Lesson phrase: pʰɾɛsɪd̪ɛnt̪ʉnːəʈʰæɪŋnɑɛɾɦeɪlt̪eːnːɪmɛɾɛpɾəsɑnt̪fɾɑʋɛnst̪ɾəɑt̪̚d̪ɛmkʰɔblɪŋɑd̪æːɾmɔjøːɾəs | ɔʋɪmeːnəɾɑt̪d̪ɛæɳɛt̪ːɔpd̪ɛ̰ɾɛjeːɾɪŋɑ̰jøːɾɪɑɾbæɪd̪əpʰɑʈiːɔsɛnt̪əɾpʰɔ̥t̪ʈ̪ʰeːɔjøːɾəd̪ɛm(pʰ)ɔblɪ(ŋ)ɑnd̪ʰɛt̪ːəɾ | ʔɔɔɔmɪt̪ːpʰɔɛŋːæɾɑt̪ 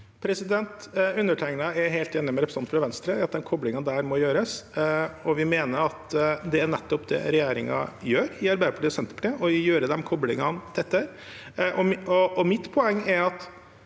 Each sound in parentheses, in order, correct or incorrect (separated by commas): incorrect, correct